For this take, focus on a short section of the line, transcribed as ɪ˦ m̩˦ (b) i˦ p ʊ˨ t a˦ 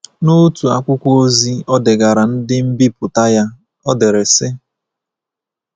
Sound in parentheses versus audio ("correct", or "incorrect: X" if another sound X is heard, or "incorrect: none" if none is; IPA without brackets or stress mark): correct